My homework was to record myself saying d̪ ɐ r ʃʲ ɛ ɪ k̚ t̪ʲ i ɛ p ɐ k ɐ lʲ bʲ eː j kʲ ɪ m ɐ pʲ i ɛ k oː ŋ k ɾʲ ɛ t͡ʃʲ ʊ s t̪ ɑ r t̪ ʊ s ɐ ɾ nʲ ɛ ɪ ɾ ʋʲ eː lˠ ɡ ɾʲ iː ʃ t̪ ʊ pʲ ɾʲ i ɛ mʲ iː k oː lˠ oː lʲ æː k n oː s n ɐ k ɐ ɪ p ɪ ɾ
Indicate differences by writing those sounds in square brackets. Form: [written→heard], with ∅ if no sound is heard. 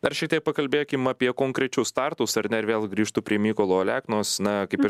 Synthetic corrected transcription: d̪ ɐ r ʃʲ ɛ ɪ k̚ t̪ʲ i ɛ p ɐ k ɐ lʲ bʲ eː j kʲ ɪ m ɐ pʲ i ɛ k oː ŋ k ɾʲ ɛ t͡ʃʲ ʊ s t̪ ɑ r t̪ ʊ s ɐ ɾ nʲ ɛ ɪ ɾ ʋʲ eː lˠ ɡ ɾʲ iː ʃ t̪ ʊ pʲ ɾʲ i ɛ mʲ iː k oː lˠ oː lʲ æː k n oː s n ɐ k ɐ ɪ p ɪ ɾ